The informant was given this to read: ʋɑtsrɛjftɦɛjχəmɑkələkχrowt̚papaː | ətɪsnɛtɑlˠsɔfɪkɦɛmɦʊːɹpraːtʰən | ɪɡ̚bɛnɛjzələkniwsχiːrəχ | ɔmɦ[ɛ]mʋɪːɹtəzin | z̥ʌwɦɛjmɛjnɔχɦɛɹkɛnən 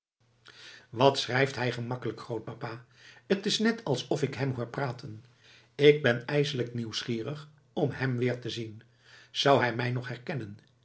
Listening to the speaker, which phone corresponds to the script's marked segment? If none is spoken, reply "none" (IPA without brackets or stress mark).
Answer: ɛ